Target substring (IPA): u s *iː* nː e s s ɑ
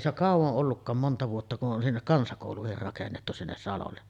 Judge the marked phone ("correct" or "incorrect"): incorrect